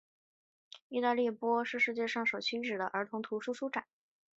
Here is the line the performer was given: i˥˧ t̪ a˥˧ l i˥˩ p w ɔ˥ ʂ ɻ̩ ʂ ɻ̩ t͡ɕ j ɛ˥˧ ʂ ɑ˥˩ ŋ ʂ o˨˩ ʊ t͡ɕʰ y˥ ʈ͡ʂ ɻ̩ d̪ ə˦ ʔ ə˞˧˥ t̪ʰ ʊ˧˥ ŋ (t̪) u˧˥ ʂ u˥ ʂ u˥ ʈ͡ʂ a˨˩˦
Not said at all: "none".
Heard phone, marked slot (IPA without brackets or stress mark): t̪ʰ